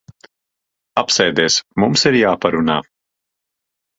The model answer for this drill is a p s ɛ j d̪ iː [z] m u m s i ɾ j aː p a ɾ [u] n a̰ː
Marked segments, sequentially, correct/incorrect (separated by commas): incorrect, correct